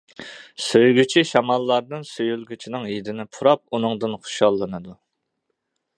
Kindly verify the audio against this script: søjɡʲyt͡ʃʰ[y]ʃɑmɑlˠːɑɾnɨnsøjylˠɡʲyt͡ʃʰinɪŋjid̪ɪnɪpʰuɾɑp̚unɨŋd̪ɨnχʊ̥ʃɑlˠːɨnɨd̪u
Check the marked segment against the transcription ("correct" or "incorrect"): incorrect